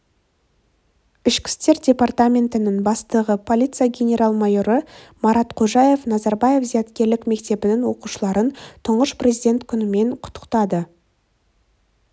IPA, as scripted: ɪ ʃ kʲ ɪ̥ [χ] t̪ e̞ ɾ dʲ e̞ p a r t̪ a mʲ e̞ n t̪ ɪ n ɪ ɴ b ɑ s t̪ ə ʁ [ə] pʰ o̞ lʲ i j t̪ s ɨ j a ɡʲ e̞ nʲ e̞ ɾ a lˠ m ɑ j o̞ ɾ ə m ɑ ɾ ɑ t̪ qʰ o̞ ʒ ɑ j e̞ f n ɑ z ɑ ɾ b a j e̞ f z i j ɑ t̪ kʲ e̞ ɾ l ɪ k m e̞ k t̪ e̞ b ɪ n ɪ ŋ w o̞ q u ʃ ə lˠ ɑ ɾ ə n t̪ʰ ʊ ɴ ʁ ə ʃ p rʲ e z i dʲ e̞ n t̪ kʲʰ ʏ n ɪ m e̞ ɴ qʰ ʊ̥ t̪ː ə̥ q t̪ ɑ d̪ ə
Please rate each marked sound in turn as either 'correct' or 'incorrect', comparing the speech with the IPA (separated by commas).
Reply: incorrect, correct